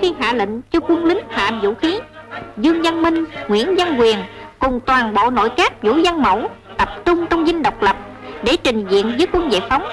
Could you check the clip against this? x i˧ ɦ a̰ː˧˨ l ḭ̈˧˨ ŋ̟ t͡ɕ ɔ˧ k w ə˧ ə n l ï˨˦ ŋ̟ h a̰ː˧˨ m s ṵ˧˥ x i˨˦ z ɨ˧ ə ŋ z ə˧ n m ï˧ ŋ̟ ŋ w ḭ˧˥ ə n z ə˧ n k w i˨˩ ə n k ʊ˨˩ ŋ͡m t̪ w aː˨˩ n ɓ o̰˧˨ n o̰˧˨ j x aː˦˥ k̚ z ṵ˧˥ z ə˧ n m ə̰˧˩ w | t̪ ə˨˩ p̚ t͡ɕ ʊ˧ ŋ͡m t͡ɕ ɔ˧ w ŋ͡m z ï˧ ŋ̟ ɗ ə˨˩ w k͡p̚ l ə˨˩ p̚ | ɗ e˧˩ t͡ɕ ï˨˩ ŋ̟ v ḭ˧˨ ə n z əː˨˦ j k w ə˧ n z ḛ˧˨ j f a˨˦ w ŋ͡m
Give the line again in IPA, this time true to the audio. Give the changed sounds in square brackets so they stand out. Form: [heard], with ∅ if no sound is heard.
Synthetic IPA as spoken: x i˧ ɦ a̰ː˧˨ l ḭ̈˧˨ ŋ̟ t͡ɕ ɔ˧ k w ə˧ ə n l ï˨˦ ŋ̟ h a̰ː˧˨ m [z] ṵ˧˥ x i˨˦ z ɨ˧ ə ŋ z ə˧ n m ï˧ ŋ̟ ŋ w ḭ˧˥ ə n z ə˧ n k w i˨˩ ə n k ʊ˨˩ ŋ͡m t̪ w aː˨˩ n ɓ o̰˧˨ n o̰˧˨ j [k] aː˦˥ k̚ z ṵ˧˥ z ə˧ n m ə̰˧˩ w | t̪ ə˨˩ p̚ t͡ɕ ʊ˧ ŋ͡m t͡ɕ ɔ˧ w ŋ͡m z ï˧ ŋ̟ ɗ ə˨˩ w k͡p̚ l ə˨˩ p̚ | ɗ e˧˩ t͡ɕ ï˨˩ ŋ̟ [z] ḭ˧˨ ə n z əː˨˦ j k w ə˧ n z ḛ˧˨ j f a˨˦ w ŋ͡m